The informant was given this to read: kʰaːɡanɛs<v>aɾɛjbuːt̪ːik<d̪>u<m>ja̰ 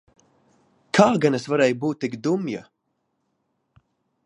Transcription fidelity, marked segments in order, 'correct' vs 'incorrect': correct, correct, correct

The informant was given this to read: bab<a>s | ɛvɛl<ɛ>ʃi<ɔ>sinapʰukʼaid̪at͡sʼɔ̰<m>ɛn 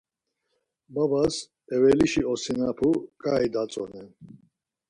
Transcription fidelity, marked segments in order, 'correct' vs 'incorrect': correct, incorrect, correct, incorrect

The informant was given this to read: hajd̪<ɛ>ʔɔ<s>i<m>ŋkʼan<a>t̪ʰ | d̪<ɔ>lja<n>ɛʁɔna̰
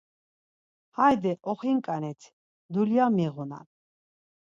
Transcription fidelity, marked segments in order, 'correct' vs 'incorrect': correct, incorrect, incorrect, incorrect, incorrect, incorrect

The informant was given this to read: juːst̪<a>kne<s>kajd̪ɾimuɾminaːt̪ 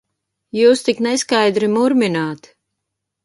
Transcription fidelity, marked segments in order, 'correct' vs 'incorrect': incorrect, correct

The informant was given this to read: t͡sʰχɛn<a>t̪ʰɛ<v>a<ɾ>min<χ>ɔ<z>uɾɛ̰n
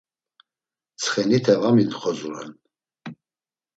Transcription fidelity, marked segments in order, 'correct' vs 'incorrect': incorrect, correct, incorrect, correct, correct

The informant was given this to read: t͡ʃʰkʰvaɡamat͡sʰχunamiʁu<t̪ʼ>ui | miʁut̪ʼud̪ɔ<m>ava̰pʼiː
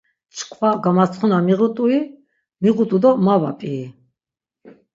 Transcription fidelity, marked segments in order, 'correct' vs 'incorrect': correct, correct

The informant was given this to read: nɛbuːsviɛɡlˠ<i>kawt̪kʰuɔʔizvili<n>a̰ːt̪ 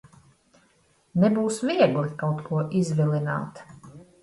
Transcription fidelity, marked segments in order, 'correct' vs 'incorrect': correct, correct

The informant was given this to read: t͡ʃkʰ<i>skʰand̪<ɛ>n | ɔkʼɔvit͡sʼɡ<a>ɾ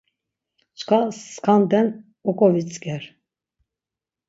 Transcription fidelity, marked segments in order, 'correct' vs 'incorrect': incorrect, correct, incorrect

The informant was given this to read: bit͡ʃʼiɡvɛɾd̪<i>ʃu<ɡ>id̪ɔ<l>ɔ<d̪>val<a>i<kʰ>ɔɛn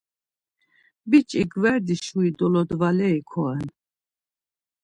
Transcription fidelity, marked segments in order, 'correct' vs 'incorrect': correct, incorrect, correct, correct, incorrect, correct

